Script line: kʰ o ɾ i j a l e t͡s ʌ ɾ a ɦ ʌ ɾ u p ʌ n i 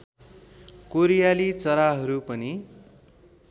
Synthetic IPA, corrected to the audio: k o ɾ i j a l i t͡s ʌ ɾ a ɦ ʌ ɾ u p ʌ n i